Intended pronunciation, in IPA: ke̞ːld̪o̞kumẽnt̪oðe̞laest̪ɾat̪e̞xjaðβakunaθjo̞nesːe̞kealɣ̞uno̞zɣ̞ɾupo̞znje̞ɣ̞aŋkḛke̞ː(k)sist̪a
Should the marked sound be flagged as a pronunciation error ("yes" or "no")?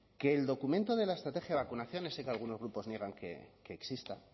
no